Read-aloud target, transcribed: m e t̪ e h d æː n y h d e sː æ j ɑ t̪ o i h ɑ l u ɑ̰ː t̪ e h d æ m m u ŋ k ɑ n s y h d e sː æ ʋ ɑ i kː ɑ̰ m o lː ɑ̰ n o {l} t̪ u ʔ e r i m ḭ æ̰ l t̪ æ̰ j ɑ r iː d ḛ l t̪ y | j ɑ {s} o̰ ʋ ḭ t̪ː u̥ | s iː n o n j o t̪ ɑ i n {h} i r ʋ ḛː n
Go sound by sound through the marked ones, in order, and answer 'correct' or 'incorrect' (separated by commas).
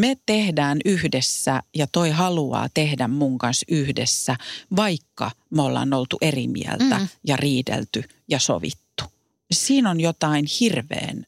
correct, correct, correct